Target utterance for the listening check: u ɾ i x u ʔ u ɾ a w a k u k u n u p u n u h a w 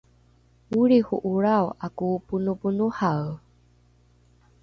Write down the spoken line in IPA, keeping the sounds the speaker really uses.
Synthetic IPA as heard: u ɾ i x u ʔ u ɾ a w a k u p u n u p u n u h a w